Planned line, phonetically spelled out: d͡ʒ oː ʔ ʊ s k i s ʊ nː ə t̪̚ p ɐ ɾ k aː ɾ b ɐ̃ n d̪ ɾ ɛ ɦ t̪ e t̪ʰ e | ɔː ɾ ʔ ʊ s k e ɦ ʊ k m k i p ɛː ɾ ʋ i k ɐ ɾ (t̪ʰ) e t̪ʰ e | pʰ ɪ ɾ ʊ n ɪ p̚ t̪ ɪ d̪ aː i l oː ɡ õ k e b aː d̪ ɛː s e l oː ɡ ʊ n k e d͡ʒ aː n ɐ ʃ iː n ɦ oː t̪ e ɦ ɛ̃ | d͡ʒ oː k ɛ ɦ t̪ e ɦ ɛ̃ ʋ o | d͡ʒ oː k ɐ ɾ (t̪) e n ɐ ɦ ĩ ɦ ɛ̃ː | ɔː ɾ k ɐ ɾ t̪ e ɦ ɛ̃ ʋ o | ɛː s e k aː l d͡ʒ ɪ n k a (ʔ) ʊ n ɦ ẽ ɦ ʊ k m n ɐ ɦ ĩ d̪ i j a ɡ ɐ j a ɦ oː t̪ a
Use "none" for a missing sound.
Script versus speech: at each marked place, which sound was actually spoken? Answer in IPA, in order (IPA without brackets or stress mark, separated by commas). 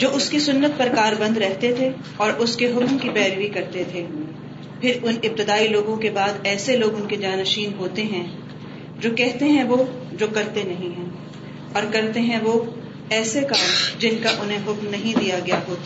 t̪, t̪, ʔ